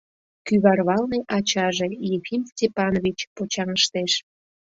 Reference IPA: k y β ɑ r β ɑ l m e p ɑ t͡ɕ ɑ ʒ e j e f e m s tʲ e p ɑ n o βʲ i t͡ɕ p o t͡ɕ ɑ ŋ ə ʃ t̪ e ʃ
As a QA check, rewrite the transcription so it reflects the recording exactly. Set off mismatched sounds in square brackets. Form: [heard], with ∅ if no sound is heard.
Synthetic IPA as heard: k y β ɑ r β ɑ l [n] e [ʔ] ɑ t͡ɕ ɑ ʒ e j e f [i] m s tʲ e p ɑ n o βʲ i t͡ɕ p o t͡ɕ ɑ ŋ ə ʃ t̪ e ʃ